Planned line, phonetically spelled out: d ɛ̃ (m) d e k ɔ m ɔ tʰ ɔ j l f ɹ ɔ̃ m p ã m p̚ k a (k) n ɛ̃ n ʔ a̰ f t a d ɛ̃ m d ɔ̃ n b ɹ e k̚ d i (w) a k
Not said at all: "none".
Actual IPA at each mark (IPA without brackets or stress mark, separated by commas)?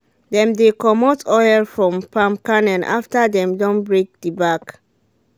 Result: m, none, b